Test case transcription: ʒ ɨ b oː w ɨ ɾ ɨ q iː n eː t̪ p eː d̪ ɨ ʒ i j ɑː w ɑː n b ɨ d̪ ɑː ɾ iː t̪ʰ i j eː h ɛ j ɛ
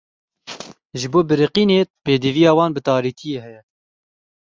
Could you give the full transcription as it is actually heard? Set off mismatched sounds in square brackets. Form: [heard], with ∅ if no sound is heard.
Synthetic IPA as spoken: ʒ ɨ b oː [b] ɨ ɾ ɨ q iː n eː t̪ p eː d̪ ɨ [v] i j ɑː w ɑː n b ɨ [t̪] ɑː ɾ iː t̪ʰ i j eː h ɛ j ɛ